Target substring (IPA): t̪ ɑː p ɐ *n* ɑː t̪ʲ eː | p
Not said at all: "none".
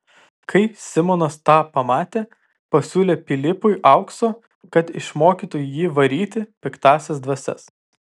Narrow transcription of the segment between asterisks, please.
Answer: m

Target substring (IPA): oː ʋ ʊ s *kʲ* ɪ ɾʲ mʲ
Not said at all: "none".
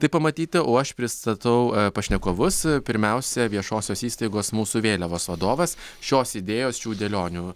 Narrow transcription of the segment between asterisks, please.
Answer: pʲ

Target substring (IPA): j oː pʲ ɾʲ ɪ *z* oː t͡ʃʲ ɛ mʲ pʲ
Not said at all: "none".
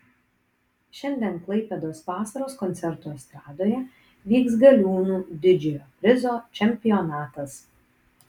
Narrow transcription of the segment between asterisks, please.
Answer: z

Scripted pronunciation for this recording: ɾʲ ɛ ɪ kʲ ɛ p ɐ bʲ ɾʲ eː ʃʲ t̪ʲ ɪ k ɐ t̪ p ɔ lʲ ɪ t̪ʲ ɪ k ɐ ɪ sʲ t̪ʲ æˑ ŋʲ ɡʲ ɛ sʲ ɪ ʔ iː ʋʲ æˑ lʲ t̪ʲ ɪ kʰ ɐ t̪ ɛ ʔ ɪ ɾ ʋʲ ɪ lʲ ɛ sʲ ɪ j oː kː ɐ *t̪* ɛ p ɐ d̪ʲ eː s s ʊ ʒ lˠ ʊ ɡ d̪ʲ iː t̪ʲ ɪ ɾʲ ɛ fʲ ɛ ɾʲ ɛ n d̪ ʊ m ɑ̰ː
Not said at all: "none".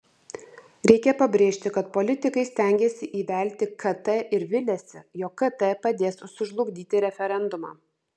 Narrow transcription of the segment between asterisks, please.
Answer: t̪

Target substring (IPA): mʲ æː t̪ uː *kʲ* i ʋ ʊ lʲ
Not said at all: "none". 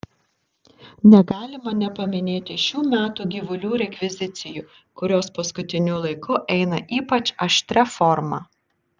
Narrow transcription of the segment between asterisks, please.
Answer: ɡʲ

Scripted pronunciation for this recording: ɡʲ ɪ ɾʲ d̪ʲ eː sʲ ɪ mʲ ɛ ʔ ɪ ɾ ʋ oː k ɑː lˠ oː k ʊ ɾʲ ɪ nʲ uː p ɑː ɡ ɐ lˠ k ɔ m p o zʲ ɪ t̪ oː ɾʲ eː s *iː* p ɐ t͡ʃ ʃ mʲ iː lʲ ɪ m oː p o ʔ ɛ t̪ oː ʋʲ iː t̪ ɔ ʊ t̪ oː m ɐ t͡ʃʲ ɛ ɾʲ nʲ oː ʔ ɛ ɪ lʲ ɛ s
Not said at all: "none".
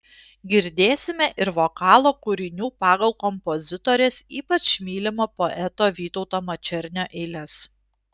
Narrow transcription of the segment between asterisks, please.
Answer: iː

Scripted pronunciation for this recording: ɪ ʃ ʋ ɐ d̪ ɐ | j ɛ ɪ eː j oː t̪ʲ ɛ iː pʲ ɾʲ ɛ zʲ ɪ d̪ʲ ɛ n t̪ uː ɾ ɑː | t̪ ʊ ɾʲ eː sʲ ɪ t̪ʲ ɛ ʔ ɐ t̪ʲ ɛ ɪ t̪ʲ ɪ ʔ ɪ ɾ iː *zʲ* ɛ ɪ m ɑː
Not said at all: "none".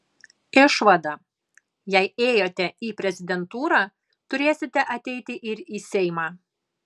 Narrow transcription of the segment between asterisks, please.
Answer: sʲ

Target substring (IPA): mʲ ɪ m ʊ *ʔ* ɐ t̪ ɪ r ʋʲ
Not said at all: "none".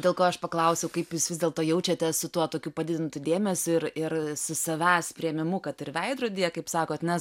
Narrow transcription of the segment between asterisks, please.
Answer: k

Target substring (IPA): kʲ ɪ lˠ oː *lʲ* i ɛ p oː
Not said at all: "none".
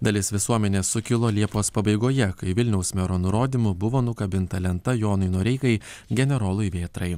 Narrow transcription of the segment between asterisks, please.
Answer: lʲ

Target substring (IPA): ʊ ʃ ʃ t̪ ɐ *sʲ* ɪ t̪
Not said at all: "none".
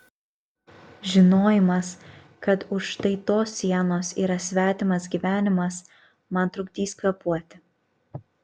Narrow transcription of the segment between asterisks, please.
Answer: none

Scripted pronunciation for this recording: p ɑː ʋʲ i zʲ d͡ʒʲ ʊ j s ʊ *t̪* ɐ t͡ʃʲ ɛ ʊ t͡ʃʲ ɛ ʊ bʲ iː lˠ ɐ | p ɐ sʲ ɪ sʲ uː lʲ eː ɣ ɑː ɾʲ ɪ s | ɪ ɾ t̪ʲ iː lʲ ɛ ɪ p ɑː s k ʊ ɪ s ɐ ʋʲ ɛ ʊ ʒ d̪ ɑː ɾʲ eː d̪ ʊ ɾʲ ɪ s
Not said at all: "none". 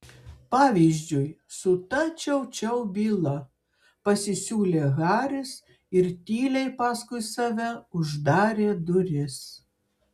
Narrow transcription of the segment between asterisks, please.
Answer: t̪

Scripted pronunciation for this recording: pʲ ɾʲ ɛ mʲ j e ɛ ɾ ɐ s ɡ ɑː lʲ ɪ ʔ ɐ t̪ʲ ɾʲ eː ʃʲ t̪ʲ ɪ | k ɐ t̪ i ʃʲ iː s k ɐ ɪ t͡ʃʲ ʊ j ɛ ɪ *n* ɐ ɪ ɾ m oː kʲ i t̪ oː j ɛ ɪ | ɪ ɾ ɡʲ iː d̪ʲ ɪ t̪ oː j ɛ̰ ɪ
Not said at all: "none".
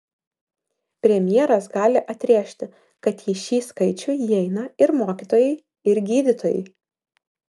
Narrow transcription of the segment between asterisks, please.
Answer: n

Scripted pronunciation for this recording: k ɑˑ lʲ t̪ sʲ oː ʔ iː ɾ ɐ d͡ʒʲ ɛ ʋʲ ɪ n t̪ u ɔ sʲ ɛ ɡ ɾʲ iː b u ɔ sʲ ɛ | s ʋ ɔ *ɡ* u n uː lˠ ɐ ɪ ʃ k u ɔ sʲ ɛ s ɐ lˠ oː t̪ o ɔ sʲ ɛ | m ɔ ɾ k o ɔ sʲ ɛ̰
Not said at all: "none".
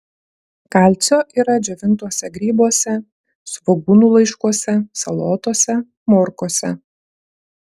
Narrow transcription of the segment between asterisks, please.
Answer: ɡ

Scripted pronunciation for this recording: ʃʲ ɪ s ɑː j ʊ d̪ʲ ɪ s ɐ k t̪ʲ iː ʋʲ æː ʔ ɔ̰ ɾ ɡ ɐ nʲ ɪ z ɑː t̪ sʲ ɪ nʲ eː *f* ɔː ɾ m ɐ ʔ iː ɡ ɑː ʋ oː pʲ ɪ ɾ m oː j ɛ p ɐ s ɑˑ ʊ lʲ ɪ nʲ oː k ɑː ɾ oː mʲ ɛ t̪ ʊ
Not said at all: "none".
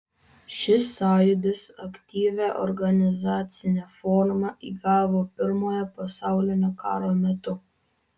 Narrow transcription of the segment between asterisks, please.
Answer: f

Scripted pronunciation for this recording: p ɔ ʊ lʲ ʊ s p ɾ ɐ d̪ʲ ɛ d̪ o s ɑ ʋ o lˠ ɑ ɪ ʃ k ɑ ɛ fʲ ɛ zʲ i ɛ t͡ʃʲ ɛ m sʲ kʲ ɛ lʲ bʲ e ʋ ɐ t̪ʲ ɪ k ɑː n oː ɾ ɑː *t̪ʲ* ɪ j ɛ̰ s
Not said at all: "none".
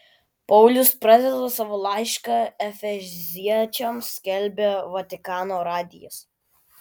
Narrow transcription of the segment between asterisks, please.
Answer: d̪ʲ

